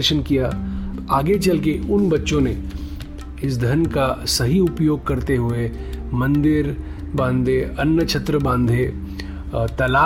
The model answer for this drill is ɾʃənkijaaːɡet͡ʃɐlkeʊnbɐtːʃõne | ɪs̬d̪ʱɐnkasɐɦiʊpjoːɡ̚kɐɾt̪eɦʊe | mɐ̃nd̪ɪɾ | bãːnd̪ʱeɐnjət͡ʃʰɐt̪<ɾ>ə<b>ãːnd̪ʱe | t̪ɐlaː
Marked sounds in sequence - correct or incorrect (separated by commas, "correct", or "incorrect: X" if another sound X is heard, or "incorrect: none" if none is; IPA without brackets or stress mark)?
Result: correct, correct